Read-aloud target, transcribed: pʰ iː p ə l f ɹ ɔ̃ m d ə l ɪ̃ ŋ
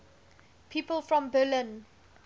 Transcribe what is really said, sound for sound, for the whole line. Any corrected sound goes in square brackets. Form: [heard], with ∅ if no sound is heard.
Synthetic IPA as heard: pʰ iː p ə l f ɹ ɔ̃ m [b] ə l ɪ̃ [n]